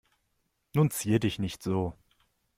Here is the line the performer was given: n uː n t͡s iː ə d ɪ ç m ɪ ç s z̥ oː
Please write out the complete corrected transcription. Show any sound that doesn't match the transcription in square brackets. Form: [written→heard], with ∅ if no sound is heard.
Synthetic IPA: n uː n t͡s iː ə d ɪ ç [m→n] ɪ ç [s→t] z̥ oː